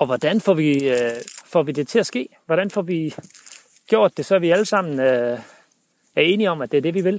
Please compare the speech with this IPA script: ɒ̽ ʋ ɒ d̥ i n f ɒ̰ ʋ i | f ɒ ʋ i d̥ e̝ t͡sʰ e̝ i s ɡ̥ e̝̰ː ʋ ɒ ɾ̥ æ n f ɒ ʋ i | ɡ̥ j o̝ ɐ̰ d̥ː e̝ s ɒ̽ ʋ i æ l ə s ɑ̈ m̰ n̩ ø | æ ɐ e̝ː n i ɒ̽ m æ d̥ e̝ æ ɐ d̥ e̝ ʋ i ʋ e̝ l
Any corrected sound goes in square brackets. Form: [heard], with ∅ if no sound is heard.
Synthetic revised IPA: ɒ̽ ʋ ɒ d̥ [æ] n f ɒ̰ ʋ i | f ɒ ʋ i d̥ e̝ t͡sʰ e̝ [æ] s ɡ̥ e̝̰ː ʋ ɒ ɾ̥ æ n f ɒ ʋ i | ɡ̥ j o̝ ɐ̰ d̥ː e̝ s ɒ̽ ʋ i æ l ə s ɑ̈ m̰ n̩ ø | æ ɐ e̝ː n i ɒ̽ m æ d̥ e̝ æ ɐ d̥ e̝ ʋ i ʋ e̝ l